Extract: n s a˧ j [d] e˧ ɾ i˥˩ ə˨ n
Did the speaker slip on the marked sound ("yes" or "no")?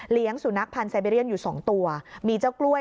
yes